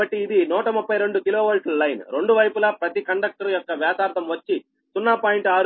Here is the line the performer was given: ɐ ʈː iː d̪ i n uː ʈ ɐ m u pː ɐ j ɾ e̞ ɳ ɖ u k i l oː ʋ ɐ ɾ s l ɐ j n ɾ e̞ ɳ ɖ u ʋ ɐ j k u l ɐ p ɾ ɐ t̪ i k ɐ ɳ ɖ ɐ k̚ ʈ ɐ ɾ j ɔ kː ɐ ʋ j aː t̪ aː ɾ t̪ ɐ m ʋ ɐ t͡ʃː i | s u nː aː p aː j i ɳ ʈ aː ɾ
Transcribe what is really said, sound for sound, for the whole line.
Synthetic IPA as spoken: ɐ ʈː iː d̪ i n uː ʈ ɐ m u pː ɐ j ɾ e̞ ɳ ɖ u k i l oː ʋ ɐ l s l ɐ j n ɾ e̞ ɳ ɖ u ʋ ɐ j p u l ɐ p ɾ ɐ t̪ i k ɐ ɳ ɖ ɐ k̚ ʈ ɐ ɾ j ɔ kː ɐ ʋ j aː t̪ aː ɾ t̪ ɐ m ʋ ɐ t͡ʃː i | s u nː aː p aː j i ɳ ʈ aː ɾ